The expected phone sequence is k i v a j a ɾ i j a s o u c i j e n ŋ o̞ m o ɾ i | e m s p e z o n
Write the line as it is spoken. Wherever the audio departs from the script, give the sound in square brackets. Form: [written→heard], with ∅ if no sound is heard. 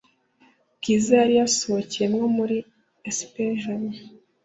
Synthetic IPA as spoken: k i [v→z] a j a ɾ i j a s o [u→o] c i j e [n→m] ŋ o̞ m [o→u] ɾ i | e [m→∅] s p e [z→ʒ] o n